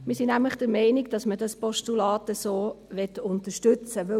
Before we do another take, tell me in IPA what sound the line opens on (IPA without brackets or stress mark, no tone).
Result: m